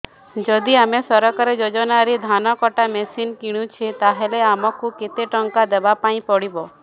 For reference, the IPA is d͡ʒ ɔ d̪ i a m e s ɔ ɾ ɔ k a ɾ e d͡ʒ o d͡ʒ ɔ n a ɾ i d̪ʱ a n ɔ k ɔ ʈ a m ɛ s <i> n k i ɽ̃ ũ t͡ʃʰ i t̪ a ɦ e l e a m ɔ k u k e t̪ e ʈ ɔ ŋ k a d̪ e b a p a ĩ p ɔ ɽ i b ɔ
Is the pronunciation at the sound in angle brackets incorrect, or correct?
correct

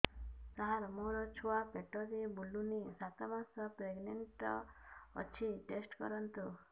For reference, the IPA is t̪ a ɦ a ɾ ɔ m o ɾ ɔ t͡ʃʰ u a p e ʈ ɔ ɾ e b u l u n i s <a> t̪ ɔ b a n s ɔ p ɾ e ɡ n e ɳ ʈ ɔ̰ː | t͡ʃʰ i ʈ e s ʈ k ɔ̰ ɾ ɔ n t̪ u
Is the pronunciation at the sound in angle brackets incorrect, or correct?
correct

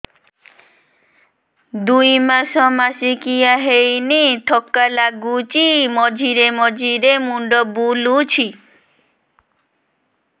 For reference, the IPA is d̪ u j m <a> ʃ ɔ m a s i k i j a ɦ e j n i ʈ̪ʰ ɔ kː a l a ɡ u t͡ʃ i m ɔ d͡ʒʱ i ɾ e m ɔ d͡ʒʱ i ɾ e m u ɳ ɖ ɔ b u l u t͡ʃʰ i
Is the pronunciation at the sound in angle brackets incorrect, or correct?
correct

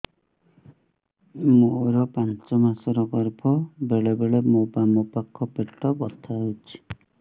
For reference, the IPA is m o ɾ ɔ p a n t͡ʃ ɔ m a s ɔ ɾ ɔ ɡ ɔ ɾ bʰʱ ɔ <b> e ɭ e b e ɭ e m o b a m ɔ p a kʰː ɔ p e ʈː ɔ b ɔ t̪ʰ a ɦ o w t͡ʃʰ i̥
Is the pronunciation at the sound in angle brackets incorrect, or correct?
correct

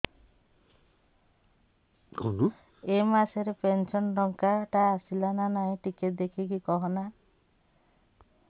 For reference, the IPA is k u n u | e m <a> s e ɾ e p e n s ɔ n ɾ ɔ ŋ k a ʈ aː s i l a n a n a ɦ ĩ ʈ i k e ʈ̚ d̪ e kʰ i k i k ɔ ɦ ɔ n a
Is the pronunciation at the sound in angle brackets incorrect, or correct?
correct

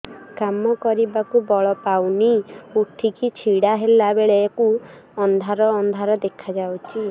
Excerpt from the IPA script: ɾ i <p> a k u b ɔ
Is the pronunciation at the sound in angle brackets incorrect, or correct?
incorrect: b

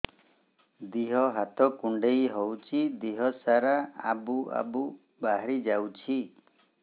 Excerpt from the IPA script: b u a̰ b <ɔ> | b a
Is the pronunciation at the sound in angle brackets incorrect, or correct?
incorrect: u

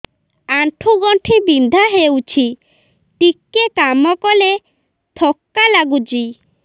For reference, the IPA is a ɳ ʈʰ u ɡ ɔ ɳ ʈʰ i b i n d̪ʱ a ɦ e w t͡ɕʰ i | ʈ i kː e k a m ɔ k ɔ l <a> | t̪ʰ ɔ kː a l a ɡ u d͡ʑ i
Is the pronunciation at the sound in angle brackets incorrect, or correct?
incorrect: e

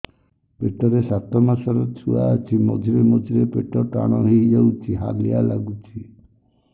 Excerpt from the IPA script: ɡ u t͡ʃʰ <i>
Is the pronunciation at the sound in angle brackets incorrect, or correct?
correct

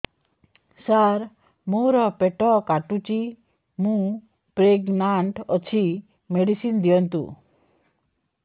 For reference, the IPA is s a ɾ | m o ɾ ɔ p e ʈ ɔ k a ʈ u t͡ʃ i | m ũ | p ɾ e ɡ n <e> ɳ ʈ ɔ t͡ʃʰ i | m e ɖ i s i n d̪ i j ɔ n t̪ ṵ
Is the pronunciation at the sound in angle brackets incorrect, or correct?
incorrect: a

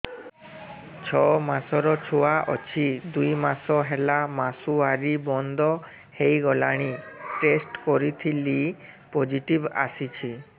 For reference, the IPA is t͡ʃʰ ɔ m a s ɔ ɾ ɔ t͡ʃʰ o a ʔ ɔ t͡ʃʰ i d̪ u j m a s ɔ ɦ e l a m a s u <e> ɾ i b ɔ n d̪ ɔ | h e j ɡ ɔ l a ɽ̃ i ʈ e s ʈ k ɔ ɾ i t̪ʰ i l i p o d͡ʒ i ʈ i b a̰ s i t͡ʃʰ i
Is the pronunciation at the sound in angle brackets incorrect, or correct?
incorrect: a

